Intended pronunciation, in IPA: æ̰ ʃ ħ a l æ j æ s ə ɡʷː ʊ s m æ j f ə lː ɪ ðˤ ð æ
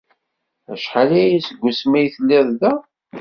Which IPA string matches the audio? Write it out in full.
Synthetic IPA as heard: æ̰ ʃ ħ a l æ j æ s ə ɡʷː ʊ s m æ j θ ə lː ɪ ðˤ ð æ